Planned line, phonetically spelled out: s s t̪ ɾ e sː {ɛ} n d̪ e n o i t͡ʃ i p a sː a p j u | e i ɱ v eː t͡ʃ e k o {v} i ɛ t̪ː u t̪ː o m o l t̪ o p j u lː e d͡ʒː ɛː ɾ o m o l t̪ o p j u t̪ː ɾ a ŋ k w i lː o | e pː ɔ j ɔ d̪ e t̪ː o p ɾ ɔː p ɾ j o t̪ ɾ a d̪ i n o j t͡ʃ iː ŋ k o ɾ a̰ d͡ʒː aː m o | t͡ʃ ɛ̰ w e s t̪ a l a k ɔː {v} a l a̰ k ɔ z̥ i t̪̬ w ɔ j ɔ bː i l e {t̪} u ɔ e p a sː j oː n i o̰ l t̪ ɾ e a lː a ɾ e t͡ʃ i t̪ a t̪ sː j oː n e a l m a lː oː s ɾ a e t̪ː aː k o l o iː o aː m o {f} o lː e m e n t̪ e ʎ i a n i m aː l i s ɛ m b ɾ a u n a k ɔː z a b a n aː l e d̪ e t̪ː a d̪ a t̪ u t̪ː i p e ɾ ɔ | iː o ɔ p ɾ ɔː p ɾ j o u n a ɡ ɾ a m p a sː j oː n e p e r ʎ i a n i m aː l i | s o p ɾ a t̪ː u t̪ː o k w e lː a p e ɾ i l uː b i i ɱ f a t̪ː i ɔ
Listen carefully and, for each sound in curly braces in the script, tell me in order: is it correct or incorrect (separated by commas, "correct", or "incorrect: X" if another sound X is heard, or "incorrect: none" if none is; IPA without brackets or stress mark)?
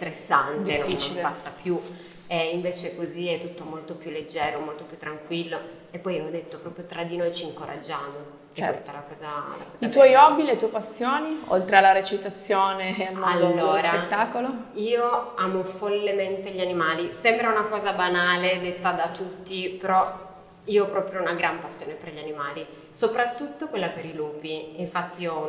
incorrect: a, incorrect: z, incorrect: z, correct, correct